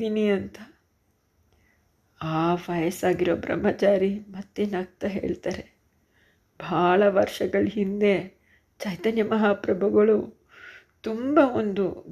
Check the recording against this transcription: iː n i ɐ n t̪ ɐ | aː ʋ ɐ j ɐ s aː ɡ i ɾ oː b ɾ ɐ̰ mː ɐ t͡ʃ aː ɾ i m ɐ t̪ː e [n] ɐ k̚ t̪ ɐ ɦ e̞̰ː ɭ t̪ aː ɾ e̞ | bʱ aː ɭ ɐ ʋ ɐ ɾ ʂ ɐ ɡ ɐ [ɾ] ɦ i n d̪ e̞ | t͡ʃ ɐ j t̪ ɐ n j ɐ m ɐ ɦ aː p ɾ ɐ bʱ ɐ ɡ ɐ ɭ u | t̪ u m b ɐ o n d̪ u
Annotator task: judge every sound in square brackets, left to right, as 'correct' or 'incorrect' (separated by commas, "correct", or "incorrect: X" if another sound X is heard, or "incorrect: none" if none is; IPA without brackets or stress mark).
correct, incorrect: ɭ